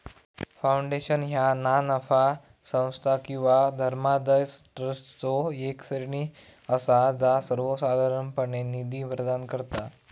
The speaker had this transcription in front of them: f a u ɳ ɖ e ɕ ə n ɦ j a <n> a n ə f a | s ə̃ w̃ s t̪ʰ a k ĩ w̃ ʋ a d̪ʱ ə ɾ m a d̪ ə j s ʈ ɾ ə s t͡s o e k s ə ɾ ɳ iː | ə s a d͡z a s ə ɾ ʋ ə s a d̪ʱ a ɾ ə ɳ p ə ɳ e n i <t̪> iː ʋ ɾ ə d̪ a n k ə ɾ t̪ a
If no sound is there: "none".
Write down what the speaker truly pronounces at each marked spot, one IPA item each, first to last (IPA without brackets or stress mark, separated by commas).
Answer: n, d̪